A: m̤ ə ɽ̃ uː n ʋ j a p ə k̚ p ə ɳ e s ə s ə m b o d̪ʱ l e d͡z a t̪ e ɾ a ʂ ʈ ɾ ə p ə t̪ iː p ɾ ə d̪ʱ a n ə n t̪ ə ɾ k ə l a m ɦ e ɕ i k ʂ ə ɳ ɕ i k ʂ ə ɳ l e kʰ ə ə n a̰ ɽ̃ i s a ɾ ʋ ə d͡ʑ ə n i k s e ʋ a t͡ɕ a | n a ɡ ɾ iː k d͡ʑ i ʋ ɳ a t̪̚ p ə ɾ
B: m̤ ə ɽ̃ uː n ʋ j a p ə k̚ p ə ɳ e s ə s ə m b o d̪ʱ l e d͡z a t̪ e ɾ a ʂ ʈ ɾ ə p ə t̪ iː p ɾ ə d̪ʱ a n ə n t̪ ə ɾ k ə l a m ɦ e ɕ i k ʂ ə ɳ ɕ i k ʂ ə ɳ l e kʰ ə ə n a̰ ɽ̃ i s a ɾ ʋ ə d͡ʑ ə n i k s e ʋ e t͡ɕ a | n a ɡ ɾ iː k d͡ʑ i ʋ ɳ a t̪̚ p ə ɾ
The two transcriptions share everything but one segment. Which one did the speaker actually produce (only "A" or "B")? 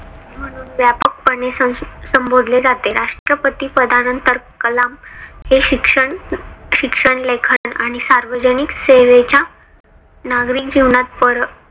B